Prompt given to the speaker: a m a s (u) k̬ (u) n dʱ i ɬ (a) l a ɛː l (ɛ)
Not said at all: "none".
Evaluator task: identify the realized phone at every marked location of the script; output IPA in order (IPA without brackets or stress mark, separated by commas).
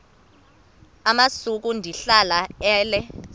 u, u, a, ɛ